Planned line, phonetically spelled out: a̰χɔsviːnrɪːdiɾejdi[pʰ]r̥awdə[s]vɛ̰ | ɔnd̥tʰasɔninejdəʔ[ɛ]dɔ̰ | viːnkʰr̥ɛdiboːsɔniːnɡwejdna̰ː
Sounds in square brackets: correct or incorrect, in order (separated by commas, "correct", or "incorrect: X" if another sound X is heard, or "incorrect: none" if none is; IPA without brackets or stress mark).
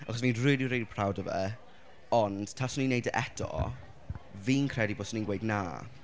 correct, incorrect: none, correct